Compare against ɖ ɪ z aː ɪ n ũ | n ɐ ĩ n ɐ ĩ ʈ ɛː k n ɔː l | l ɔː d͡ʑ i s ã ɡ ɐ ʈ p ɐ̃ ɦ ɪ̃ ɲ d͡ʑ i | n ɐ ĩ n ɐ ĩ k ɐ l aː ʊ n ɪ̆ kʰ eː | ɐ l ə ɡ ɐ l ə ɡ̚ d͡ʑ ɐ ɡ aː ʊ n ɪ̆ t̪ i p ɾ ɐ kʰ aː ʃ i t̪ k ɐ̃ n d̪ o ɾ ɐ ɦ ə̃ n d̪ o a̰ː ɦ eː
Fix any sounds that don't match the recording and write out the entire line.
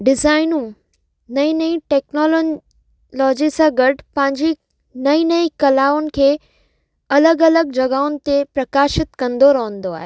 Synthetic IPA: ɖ ɪ z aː ɪ n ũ | n ɐ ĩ n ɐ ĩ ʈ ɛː k n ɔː l | l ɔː d͡ʑ i s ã ɡ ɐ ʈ p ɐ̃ ɦ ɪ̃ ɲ d͡ʑ i | n ɐ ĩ n ɐ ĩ k ɐ l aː ʊ n ɪ̆ kʰ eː | ɐ l ə ɡ ɐ l ə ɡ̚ d͡ʑ ɐ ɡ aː ʊ n ɪ̆ t̪ e p ɾ ɐ k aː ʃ ɪ t̪ k ɐ̃ n d̪ o ɾ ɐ ɦ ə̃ n d̪ o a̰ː ɦ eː